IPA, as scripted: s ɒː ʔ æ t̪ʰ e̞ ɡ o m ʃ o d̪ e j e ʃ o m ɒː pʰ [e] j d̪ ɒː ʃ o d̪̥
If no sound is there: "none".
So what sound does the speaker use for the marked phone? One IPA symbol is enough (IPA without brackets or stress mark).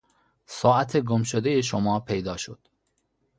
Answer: e